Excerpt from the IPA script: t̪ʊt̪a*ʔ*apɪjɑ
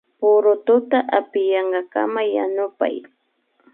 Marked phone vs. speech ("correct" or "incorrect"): correct